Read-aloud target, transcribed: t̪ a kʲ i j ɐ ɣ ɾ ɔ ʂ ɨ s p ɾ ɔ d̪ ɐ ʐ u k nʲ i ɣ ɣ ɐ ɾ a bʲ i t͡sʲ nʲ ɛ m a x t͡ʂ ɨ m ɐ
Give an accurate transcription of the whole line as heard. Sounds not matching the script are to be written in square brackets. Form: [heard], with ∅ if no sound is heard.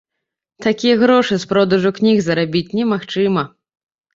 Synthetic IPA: t̪ a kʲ i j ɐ ɣ ɾ ɔ ʂ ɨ s p ɾ ɔ d̪ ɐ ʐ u k nʲ i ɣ [z] ɐ ɾ a bʲ i t͡sʲ nʲ ɛ m a x t͡ʂ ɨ m ɐ